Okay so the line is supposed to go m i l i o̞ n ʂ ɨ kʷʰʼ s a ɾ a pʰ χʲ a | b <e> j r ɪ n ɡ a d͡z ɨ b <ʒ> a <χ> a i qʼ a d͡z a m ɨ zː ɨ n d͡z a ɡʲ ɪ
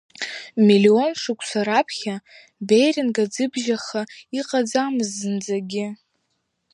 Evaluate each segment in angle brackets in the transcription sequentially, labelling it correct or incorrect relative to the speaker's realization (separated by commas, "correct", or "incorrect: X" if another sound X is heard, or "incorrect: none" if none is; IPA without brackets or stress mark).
correct, correct, correct